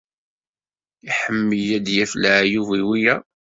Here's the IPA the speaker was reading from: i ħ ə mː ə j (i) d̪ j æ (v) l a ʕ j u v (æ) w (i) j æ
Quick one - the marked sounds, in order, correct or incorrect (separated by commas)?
incorrect, incorrect, incorrect, correct